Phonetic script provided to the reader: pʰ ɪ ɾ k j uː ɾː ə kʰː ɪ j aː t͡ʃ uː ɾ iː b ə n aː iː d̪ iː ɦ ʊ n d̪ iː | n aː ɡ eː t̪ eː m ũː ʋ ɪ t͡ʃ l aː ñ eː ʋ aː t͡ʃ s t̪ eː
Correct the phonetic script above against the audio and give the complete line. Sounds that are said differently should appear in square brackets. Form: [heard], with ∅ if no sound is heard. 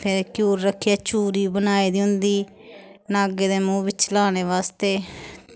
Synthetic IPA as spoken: pʰ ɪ ɾ k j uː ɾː ə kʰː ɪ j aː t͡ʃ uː ɾ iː b ə n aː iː d̪ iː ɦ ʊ n d̪ iː | n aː ɡ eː [d̪] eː m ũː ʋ ɪ t͡ʃ l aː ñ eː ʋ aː [∅] s t̪ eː